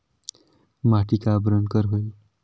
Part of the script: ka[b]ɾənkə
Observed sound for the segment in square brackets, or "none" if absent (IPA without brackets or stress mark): b